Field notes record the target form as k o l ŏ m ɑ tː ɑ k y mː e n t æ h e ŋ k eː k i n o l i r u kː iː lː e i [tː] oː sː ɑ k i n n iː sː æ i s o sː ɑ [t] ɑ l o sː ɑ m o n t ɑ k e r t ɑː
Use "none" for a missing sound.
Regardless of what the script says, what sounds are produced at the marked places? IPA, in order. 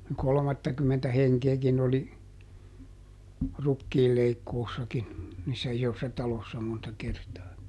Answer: kː, t

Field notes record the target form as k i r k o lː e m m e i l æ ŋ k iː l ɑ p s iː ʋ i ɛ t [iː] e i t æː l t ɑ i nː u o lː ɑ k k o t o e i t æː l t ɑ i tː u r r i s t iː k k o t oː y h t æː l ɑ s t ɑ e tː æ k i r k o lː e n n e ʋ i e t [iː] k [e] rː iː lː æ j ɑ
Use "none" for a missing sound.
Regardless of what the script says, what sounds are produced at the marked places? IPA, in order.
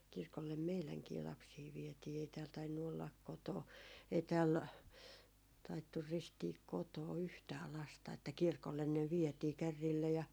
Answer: iː, iː, æ

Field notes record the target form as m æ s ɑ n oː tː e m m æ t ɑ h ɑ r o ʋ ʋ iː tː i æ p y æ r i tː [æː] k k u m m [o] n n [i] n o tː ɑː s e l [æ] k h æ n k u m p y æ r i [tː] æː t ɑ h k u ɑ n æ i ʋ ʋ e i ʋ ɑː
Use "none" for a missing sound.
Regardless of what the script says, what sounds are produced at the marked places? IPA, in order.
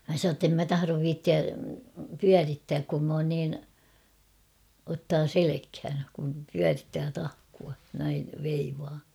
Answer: æː, oː, iː, e, tː

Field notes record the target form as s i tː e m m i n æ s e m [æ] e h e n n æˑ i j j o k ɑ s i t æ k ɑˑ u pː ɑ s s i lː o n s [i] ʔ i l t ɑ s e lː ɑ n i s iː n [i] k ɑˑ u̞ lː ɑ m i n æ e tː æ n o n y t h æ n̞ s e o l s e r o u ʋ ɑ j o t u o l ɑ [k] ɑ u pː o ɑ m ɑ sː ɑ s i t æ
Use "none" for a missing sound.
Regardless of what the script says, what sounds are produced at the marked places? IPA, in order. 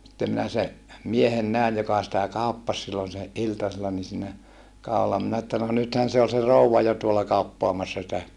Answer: i, e, æ, k

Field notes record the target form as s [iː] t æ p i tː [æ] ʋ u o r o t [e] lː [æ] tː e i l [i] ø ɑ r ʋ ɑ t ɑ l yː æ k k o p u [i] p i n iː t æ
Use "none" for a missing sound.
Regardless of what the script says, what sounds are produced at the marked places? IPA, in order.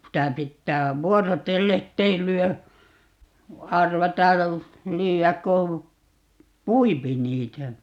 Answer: i, æː, e, e, y, i

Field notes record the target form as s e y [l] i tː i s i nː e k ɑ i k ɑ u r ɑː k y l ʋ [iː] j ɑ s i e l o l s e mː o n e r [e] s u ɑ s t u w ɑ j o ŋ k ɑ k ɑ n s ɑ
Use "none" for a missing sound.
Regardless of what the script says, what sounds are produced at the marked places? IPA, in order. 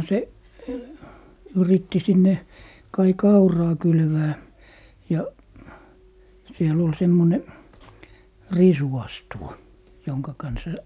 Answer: r, æː, i

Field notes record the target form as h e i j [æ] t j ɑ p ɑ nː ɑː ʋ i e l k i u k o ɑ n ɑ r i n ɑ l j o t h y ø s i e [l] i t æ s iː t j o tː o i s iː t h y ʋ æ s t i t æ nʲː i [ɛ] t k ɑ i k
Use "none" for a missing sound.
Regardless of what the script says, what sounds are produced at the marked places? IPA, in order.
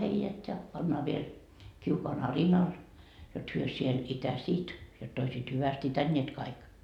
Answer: æ, l, e

